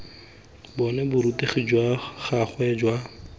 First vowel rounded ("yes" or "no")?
yes